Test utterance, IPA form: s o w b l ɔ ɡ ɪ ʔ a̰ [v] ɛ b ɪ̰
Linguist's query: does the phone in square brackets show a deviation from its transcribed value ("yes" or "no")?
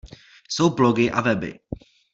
no